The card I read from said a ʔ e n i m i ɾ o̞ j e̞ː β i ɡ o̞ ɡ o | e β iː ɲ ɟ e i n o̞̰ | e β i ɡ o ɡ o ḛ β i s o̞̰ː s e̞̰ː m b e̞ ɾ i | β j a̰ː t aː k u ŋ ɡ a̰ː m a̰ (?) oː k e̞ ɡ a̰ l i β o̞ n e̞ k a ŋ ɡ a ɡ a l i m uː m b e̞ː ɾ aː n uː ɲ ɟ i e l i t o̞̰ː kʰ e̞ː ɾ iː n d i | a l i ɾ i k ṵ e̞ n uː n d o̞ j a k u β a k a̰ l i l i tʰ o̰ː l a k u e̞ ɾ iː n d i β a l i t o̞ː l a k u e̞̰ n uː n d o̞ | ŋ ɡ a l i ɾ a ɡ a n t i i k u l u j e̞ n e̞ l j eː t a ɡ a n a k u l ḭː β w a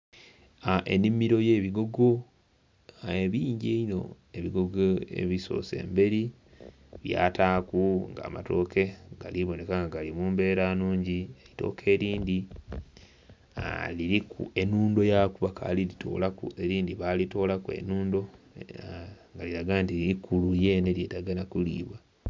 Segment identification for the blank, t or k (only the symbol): t